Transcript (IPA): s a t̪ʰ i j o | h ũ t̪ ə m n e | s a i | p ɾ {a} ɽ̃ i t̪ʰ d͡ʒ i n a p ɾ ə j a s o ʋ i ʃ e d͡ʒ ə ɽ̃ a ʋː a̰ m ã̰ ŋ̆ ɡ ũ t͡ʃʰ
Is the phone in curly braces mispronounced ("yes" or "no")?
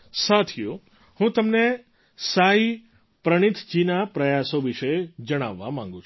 yes